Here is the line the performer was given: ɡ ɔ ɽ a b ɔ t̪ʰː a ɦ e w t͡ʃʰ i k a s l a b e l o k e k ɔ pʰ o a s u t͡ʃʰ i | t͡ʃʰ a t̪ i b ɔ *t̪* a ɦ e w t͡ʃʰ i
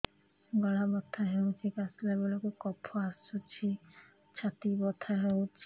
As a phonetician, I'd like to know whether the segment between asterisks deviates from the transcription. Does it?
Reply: yes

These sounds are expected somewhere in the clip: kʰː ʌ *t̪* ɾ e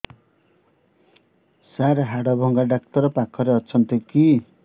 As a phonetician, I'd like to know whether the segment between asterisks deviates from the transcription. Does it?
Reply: yes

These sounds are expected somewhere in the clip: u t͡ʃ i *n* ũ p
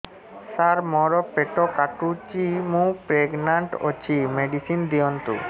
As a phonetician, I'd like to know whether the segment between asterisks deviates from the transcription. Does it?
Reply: yes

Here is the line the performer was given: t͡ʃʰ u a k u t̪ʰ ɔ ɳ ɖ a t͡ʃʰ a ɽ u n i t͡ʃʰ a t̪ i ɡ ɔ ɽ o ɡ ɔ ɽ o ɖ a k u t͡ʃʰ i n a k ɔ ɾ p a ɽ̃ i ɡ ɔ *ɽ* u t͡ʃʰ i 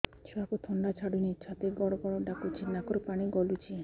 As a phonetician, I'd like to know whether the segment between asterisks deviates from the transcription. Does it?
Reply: yes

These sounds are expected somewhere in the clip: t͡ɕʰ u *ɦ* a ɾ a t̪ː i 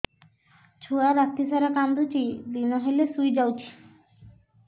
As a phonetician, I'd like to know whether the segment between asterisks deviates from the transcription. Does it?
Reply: yes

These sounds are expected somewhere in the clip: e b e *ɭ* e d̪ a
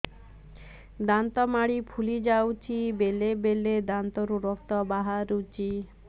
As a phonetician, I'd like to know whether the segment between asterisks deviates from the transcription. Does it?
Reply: yes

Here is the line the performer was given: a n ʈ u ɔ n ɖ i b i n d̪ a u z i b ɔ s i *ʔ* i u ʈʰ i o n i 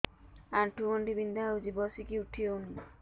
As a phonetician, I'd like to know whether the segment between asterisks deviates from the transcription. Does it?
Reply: yes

